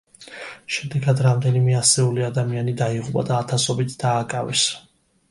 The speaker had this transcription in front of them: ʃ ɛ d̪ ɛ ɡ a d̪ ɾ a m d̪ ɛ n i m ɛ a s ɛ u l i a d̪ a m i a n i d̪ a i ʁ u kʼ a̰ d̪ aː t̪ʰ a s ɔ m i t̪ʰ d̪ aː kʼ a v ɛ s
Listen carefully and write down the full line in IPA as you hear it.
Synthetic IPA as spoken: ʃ ɛ d̪ ɛ ɡ a d̪ ɾ a m d̪ ɛ n i m ɛ a s ɛ u l i a d̪ a m i a n i d̪ a i ʁ u pʼ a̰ d̪ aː t̪ʰ a s ɔ b i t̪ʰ d̪ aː kʼ a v ɛ s